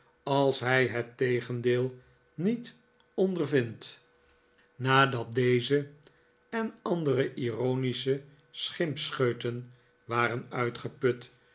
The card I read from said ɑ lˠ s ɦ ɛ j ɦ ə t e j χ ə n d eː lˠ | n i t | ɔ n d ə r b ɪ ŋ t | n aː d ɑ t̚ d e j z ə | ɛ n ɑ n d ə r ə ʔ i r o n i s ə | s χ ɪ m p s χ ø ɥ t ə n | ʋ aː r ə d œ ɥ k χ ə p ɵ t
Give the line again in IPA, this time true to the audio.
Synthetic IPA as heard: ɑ lˠ s ɦ ɛ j ɦ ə t e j χ ə n d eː lˠ | n i t | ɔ n d ə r v ɪ n t | n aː d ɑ t̚ d e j z ə | ɛ n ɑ n d ə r ə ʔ i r o n i s ə | s χ ɪ m p s χ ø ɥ t ə n | ʋ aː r ə n œ ɥ t χ ə p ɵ t